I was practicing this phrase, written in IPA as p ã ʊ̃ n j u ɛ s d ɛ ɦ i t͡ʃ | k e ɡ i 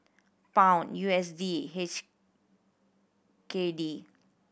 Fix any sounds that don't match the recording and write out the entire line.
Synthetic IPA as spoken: p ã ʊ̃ n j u ɛ s d i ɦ e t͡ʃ | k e d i